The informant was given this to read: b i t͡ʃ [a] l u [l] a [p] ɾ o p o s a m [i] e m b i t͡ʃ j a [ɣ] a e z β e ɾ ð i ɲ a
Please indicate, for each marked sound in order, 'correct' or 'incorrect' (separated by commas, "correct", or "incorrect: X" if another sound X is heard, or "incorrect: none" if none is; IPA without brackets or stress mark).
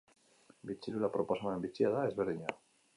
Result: incorrect: i, correct, correct, incorrect: a, incorrect: ð